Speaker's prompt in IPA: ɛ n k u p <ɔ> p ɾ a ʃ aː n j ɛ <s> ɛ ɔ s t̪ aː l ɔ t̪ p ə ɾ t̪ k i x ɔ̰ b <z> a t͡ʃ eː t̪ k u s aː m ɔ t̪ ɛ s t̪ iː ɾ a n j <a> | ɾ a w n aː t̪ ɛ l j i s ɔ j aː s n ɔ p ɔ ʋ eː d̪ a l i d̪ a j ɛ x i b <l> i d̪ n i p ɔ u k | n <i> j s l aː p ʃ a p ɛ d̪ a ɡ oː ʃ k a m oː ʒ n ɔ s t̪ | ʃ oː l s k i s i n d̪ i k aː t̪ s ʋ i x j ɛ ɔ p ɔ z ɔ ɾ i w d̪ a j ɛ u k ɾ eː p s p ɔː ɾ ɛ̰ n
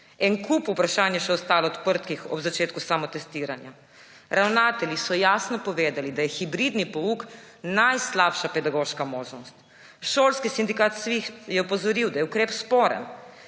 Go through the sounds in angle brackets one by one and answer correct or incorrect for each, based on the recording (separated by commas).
incorrect, incorrect, correct, correct, incorrect, incorrect